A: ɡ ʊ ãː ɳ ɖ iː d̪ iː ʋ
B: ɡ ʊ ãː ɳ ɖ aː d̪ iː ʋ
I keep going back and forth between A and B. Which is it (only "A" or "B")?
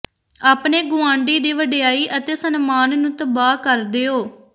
A